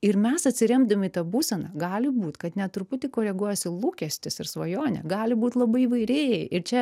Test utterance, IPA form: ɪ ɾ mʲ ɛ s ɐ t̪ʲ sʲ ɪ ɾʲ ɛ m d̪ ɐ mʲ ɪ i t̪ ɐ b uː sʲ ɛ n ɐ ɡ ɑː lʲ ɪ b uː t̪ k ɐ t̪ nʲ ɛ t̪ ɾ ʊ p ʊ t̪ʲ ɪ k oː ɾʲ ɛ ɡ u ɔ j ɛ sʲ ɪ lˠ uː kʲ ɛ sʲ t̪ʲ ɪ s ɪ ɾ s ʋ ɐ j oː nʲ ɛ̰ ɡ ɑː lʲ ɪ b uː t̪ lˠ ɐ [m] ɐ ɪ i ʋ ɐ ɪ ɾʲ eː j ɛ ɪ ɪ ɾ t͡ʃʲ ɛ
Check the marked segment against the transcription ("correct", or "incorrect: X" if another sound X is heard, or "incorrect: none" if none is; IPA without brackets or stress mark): incorrect: b